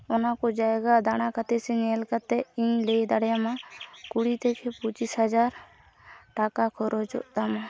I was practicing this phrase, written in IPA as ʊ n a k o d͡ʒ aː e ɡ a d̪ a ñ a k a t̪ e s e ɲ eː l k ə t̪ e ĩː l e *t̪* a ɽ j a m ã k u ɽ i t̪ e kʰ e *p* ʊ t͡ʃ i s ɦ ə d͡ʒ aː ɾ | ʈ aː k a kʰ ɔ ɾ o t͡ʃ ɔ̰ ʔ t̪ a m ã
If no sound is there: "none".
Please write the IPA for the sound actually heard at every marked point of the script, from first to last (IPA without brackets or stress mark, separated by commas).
d̪, p